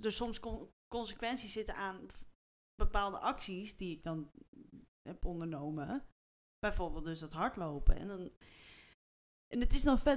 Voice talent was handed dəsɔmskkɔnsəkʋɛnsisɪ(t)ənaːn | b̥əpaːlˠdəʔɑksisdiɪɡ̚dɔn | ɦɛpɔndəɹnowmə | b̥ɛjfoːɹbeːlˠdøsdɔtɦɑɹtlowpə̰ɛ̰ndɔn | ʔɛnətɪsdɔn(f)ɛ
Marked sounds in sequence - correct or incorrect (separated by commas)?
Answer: correct, correct